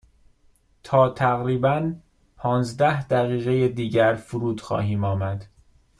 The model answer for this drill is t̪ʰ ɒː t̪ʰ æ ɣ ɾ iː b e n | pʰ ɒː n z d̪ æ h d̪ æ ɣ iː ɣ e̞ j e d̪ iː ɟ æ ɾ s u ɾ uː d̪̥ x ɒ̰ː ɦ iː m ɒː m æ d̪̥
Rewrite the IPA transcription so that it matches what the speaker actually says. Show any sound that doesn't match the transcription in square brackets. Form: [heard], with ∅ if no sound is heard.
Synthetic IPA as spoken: t̪ʰ ɒː t̪ʰ æ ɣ ɾ iː b [æ] n | pʰ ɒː n z d̪ æ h d̪ æ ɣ iː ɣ e̞ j e d̪ iː ɟ æ ɾ [f] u ɾ uː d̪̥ x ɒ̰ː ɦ iː m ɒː m æ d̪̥